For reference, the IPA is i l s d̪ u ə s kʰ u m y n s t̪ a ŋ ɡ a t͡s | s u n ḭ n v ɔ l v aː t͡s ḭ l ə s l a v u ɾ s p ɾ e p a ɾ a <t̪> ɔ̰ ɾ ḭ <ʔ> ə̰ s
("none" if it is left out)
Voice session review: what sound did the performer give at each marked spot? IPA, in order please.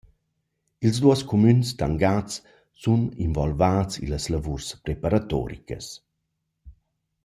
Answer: t̪, k

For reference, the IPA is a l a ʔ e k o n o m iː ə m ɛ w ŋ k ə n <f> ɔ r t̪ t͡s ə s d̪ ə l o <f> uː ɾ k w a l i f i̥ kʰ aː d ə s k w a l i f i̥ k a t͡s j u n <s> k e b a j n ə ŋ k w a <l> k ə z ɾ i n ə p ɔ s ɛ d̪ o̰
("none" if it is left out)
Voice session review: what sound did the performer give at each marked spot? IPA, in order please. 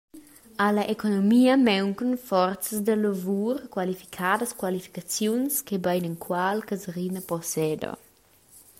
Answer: f, v, s, l

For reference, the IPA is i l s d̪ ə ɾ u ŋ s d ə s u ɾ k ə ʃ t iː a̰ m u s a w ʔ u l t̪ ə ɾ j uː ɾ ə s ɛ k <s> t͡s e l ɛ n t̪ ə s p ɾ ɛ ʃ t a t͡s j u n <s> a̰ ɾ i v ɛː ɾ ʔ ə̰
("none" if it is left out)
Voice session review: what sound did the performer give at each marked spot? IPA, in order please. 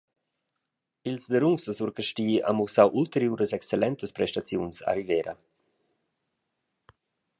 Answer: s, s

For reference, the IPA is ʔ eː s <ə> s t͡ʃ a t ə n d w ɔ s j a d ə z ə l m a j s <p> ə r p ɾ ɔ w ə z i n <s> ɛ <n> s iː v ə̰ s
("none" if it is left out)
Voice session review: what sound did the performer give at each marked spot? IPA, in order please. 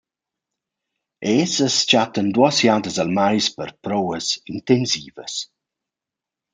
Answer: ə, p, t, n

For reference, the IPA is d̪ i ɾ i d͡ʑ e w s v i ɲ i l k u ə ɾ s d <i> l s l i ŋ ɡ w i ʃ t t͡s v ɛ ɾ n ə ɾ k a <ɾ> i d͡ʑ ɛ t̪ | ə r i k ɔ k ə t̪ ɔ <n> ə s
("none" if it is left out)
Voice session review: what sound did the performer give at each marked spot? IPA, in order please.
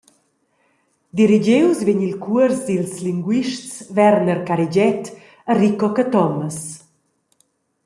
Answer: i, ɾ, m

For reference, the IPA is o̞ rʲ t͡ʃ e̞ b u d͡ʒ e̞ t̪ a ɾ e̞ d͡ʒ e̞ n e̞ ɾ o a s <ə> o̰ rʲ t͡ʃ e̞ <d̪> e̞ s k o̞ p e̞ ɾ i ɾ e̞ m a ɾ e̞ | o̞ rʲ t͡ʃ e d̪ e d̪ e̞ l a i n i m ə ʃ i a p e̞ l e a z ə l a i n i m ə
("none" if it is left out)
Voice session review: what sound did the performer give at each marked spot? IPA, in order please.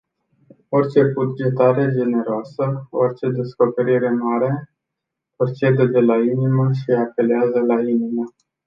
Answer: ə, d̪

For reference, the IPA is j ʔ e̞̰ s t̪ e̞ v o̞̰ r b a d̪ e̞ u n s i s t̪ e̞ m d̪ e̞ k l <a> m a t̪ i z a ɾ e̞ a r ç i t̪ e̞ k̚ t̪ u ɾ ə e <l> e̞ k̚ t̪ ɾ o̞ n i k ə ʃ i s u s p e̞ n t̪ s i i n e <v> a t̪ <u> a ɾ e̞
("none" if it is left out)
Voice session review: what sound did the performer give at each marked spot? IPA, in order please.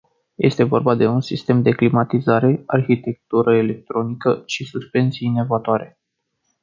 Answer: i, l, v, o

